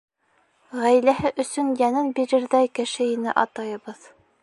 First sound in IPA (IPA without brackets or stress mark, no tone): ʁ